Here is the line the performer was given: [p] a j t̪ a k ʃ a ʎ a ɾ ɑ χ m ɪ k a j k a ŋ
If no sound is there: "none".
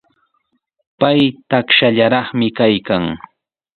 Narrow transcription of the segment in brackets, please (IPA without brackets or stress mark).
p